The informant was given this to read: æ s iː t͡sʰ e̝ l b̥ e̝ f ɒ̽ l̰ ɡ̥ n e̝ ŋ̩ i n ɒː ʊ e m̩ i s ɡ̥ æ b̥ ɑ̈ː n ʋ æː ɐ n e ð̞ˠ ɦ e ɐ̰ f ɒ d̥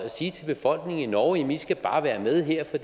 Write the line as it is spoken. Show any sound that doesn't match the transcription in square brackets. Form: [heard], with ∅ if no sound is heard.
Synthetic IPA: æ s iː t͡sʰ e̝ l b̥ e̝ f ɒ̽ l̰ ɡ̥ n e̝ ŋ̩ i n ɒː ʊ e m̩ i s ɡ̥ æ b̥ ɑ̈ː [∅] ʋ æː ɐ [m] e ð̞ˠ ɦ e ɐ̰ f ɒ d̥